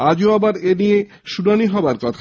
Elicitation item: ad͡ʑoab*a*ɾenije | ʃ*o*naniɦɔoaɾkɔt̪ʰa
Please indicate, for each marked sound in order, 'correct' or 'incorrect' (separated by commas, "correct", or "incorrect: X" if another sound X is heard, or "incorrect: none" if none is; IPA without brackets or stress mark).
correct, incorrect: u